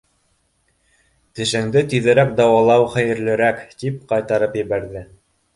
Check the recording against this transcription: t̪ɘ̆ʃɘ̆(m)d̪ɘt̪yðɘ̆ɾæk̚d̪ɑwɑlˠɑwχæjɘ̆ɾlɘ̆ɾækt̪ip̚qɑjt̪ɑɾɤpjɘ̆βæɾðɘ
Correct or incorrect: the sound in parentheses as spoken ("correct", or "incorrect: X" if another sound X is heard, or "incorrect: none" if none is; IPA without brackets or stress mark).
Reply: incorrect: ŋ